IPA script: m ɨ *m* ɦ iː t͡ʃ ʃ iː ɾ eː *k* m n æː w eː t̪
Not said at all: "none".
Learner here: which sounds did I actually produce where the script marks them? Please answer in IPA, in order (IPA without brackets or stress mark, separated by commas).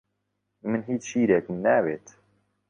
n, k